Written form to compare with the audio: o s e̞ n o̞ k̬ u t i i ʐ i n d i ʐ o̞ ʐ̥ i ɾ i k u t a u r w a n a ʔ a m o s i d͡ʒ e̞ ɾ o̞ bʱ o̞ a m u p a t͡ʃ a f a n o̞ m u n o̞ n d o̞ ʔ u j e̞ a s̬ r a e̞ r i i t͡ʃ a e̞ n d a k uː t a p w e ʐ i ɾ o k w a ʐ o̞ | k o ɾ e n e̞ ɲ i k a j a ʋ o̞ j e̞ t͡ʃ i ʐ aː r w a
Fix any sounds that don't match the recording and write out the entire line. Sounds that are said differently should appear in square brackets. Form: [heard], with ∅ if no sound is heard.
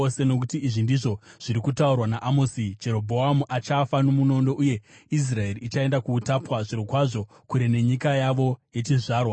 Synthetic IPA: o s e̞ n o̞ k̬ u t i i ʐ i n d i ʐ o̞ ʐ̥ i ɾ i k u t a u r w a n a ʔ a m o s i d͡ʒ e̞ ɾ o̞ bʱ o̞ a m u [ʔ] a t͡ʃ a f a n o̞ m u n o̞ n d o̞ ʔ u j e̞ [i] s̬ r a e̞ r i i t͡ʃ a e̞ n d a k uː t a p w [a] ʐ i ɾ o k w a ʐ o̞ | k [u] ɾ e n e̞ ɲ i k a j a ʋ o̞ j e̞ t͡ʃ i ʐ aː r w a